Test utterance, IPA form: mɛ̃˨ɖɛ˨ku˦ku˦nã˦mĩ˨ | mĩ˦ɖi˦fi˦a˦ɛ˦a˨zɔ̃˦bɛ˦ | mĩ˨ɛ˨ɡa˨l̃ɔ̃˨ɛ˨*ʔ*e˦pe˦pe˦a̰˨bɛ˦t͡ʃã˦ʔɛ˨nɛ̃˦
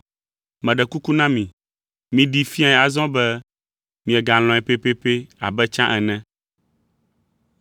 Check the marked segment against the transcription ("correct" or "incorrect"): incorrect